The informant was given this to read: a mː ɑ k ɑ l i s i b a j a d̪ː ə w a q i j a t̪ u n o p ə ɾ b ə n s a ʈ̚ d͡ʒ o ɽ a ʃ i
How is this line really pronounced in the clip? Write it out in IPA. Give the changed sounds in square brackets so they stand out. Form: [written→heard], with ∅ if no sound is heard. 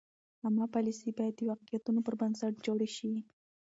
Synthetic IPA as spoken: a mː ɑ [k→p] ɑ l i s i b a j a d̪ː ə w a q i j a t̪ u n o p ə ɾ b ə n s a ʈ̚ d͡ʒ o ɽ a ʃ i

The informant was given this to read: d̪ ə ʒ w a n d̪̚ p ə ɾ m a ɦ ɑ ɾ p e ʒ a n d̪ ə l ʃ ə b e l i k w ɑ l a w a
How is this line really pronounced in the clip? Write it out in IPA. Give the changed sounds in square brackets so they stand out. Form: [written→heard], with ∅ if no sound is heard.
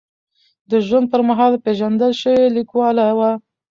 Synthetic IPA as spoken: d̪ ə ʒ w a n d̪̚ p ə ɾ m a ɦ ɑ [ɾ→l] p e ʒ a n d̪ ə l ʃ ə [b→w] e l i k w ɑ l a w a

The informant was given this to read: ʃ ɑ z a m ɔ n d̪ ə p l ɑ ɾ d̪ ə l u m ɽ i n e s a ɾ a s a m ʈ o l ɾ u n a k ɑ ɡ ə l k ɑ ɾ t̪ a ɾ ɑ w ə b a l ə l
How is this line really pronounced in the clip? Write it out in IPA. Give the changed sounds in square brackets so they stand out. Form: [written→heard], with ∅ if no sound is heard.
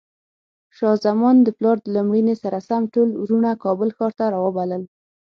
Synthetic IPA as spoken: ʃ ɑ z a m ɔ n d̪ ə p l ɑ ɾ d̪ ə l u m ɽ i n e s a ɾ a s a m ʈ o l ɾ u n a k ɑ [ɡ→b] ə l [k→x] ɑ ɾ t̪ a ɾ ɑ w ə b a l ə l

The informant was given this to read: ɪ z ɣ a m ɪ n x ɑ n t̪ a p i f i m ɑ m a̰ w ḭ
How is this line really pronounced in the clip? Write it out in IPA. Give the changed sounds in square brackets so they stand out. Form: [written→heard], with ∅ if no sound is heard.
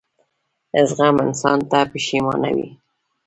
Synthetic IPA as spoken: ɪ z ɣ a m ɪ n [x→s] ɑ n t̪ a p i [f→ʃ] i m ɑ [m→n] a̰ w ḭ

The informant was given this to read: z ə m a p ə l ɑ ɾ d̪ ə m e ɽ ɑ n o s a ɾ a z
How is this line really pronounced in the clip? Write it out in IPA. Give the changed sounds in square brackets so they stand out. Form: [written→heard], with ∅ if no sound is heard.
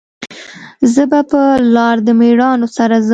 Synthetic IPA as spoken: z ə [m→b] a p ə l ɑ ɾ d̪ ə m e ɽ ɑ n o s a ɾ a z

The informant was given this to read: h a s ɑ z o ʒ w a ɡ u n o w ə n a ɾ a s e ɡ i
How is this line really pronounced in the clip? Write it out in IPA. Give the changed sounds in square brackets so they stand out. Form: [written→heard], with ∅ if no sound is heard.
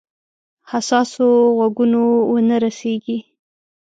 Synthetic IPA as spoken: h a s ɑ [z→s] o [ʒ→ɣ] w a ɡ u n o w ə n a ɾ a s e ɡ i

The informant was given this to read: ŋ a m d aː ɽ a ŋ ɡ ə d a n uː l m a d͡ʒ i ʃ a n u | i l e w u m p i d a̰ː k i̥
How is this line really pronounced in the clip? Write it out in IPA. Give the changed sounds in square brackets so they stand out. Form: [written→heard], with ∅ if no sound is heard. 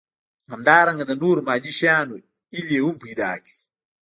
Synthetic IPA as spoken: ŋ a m d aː [ɽ→ɾ] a ŋ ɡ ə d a n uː [l→ɾ] m a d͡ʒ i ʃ a n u | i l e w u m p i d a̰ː k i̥

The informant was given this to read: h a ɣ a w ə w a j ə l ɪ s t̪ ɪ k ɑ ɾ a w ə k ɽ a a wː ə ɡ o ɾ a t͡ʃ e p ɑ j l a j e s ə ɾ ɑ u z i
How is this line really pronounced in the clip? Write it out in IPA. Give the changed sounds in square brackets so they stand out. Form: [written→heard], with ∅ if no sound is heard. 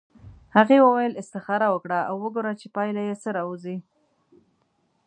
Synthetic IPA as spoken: h a ɣ [a→e] w ə w a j ə l ɪ s t̪ ɪ [k→x] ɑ ɾ a w ə k ɽ a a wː ə ɡ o ɾ a t͡ʃ e p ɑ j l a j e s ə ɾ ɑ u z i

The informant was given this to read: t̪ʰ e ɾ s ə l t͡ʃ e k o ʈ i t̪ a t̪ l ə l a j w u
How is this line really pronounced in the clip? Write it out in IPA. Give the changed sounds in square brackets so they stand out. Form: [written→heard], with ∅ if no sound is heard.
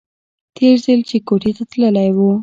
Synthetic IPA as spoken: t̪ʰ e ɾ [s→z] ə l t͡ʃ e k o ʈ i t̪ a t̪ l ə l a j w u

